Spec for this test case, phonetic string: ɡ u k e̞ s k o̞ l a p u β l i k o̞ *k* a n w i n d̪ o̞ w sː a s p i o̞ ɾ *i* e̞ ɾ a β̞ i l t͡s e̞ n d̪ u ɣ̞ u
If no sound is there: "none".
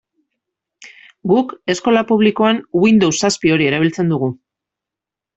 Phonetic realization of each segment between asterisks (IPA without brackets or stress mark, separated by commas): none, i